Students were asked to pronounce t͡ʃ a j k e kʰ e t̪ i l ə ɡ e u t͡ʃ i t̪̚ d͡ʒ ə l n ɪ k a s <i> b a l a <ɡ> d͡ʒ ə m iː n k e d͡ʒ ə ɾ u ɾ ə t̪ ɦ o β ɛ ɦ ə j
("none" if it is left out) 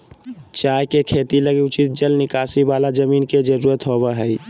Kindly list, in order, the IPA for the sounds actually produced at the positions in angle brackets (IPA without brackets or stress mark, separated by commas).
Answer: i, none